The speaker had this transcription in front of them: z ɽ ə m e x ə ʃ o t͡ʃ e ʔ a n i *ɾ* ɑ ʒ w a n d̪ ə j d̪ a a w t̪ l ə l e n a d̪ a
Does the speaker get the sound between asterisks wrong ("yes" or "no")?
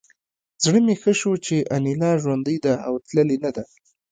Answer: yes